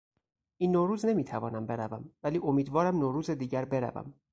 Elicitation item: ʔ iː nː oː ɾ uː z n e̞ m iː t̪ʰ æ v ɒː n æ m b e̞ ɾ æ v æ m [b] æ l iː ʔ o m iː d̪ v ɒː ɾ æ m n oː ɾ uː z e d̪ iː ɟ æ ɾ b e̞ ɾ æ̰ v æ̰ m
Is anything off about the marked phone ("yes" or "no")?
yes